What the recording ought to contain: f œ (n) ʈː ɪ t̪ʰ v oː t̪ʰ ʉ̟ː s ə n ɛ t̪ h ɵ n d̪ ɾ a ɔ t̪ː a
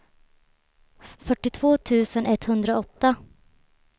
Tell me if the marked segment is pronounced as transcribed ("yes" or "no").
no